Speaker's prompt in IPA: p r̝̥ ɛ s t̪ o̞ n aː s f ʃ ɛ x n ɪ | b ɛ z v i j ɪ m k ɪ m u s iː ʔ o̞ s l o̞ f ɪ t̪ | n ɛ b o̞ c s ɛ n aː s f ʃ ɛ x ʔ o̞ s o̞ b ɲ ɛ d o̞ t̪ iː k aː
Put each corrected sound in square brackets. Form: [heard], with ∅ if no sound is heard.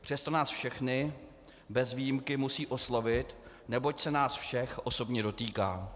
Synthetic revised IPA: p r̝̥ ɛ s t̪ o̞ n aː s f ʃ ɛ x n ɪ | b ɛ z v i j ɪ m k ɪ m u s iː ʔ o̞ s l o̞ [v] ɪ t̪ | n ɛ b o̞ c s ɛ n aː s f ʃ ɛ x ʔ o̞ s o̞ b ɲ ɛ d o̞ t̪ iː k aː